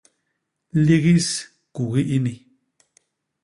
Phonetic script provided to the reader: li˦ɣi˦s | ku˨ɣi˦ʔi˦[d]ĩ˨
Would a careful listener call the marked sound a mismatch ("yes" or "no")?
yes